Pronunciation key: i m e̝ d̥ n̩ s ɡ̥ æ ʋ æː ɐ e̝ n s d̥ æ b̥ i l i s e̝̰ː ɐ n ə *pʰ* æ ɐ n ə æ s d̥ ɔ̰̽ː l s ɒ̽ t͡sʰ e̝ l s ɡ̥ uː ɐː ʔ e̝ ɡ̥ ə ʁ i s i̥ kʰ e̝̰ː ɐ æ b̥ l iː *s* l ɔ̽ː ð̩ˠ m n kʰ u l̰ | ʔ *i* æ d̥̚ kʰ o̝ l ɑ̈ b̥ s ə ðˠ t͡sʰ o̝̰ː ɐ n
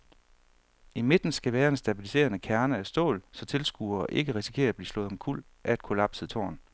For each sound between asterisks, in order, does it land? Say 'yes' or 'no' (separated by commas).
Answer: no, yes, no